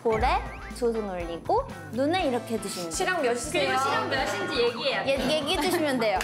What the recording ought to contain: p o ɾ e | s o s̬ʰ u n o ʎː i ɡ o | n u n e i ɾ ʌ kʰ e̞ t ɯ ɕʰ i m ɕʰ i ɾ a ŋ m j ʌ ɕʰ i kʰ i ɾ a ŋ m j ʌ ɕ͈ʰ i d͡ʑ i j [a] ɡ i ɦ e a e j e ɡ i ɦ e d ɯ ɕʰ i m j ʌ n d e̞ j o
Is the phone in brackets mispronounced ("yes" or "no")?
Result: yes